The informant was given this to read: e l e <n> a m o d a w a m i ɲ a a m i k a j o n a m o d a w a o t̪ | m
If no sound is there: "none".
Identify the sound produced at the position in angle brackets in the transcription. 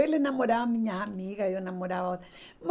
n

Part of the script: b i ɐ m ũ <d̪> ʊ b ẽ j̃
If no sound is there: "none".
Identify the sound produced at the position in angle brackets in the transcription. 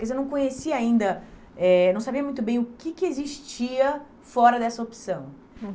t̪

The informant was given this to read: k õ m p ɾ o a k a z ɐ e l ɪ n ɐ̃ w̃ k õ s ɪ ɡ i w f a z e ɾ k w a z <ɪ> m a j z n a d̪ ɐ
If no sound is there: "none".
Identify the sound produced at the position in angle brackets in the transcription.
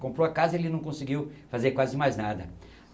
ɪ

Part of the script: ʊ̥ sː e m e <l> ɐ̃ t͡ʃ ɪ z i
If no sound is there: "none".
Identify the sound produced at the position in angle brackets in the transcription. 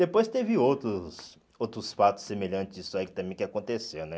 ʎ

